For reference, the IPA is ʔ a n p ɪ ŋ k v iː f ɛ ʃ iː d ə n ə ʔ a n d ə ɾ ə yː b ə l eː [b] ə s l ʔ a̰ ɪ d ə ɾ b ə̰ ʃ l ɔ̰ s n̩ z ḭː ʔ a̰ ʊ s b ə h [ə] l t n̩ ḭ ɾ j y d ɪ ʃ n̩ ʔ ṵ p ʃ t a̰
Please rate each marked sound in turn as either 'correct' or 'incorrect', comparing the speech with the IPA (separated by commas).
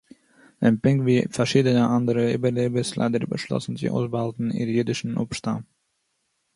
correct, incorrect